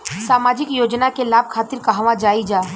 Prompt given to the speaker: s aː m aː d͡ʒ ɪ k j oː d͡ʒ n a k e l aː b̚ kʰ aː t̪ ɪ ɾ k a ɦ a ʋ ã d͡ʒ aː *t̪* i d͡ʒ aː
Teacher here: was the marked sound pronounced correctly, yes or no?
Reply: no